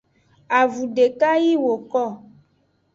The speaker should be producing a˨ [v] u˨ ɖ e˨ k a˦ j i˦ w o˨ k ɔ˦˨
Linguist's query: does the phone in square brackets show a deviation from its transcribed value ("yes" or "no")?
no